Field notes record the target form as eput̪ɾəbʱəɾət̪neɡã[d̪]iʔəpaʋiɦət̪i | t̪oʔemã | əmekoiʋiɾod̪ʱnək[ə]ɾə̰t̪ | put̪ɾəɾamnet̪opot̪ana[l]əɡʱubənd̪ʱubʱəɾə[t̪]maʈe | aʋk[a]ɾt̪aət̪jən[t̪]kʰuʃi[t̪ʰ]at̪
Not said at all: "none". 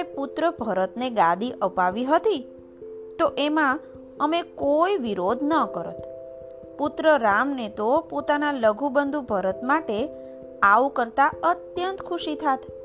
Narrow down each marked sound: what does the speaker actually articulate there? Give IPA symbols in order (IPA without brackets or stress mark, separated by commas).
d̪, ə, l, t̪, ə, t̪, t̪ʰ